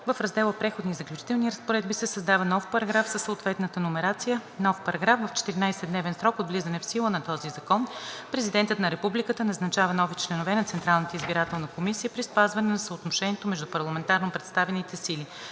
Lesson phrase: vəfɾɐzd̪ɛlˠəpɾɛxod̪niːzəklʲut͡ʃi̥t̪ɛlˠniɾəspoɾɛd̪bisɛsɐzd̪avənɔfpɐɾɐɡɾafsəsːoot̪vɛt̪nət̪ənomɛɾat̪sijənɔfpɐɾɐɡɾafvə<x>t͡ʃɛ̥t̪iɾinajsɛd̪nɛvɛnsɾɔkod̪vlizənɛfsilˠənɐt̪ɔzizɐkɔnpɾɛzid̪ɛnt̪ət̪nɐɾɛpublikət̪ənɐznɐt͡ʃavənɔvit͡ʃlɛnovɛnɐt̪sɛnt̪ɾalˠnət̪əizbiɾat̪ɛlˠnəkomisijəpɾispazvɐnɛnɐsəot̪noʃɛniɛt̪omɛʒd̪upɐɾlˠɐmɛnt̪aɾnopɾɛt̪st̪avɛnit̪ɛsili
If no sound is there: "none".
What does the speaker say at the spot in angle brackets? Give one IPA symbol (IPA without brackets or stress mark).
f